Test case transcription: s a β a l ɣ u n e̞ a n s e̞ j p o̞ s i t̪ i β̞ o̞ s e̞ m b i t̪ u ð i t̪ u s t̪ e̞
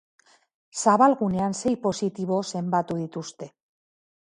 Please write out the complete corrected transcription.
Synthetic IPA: s a β a l ɣ u n e̞ a n s e̞ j p o̞ s i t̪ i β̞ o̞ s e̞ m b a t̪ u ð i t̪ u s t̪ e̞